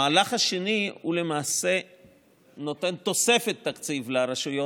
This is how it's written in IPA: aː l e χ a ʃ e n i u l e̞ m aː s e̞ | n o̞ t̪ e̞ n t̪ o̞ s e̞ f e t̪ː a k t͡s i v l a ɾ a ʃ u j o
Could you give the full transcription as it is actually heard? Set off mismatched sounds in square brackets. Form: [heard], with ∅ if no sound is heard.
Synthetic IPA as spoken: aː l [a] χ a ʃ e n i u l e̞ m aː s e̞ | n o̞ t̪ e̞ n t̪ o̞ s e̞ f e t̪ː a k t͡s i v l a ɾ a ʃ u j o